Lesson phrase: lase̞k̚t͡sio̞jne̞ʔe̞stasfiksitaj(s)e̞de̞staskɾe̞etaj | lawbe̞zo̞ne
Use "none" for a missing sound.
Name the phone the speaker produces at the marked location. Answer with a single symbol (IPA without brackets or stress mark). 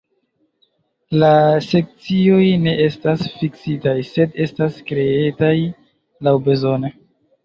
s